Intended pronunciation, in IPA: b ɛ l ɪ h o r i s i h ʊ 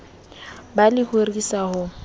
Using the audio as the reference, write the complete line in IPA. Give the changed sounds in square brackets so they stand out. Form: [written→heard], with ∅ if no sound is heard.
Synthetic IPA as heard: b [ɛ→a] l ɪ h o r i s [i→a] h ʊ